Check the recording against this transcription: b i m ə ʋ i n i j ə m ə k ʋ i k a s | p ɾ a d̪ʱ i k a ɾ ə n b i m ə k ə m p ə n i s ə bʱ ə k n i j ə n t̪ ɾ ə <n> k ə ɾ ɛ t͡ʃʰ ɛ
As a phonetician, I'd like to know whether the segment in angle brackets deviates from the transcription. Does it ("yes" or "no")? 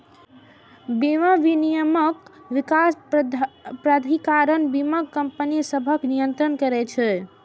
no